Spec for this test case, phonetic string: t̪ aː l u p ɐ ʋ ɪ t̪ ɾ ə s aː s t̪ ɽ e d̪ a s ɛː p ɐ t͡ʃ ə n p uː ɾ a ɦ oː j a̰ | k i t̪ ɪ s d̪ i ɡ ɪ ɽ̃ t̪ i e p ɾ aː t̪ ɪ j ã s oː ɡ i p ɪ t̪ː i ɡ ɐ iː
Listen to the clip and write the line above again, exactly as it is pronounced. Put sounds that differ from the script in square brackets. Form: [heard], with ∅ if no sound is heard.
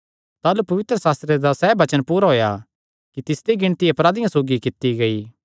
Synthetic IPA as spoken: t̪ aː l u p ɐ ʋ ɪ t̪ ɾ ə s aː s t̪ [ɾ] e d̪ a s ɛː [b] ɐ t͡ʃ ə n p uː ɾ a ɦ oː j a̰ | k i t̪ ɪ s d̪ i ɡ ɪ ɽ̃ t̪ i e p ɾ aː [d̪] ɪ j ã s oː ɡ i [k] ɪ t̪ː i ɡ ɐ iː